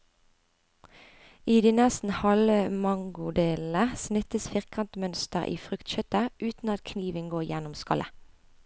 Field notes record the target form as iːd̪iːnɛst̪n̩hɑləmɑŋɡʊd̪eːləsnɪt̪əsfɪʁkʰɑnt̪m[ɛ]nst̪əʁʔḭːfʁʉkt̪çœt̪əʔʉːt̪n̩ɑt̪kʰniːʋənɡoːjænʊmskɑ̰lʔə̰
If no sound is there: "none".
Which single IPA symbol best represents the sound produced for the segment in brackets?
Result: œ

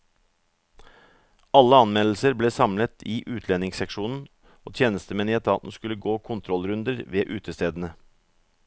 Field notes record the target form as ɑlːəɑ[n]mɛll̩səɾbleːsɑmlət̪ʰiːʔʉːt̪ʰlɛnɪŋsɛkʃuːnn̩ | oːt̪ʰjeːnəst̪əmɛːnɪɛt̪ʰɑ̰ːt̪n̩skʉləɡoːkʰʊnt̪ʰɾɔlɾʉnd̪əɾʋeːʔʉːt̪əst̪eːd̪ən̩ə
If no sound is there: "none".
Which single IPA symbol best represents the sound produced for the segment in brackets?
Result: n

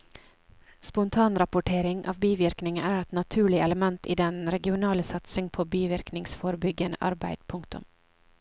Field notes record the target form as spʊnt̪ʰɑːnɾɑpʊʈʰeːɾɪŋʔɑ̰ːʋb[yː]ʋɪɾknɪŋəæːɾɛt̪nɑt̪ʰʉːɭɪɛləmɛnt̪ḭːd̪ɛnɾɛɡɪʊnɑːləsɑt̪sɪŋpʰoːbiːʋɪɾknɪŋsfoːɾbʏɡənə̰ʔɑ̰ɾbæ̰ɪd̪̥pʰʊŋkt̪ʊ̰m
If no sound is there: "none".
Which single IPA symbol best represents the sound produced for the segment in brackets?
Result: iː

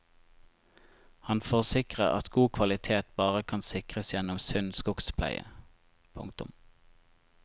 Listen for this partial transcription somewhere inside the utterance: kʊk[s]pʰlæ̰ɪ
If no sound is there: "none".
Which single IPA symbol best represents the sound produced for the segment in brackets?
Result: s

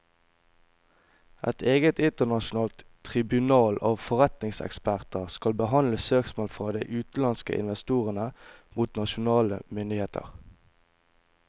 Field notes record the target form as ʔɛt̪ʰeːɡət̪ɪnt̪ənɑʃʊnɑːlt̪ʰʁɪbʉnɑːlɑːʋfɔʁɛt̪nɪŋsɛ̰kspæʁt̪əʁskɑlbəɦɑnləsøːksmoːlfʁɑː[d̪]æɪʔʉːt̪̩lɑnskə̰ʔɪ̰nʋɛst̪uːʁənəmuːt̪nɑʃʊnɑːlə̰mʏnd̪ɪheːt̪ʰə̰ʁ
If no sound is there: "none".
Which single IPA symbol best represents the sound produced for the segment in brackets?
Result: d̪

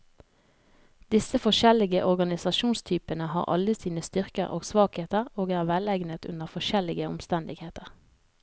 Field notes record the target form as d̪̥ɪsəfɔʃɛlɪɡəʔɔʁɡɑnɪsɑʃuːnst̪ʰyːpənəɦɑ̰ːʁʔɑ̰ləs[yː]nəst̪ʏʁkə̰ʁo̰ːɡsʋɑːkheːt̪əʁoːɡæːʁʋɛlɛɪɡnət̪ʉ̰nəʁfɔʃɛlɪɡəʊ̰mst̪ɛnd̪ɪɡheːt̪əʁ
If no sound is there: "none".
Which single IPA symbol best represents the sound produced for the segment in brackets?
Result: iː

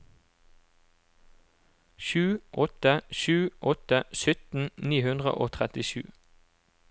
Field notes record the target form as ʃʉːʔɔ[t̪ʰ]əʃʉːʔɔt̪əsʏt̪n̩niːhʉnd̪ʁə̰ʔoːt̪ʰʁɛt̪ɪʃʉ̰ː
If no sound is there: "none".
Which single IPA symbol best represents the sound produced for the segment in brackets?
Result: t̪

